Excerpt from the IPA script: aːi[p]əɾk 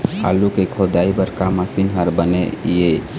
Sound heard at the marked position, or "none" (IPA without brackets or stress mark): b